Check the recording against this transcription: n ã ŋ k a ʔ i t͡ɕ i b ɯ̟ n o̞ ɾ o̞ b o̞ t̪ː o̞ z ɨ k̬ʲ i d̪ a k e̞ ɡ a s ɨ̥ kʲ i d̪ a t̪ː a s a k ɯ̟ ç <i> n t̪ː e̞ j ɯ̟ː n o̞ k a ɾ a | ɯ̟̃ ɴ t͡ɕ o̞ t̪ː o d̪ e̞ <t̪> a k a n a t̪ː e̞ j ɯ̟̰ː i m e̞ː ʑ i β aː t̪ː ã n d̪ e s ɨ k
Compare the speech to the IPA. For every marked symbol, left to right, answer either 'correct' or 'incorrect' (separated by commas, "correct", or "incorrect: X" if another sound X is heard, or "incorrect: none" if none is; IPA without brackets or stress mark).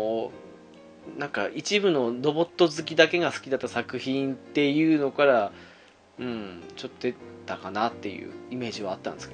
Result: incorrect: ĩ, correct